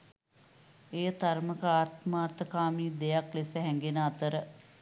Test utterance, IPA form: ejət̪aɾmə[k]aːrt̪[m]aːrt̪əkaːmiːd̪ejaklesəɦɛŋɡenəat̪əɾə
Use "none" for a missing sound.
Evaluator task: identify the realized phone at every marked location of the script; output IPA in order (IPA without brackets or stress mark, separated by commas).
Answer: k, m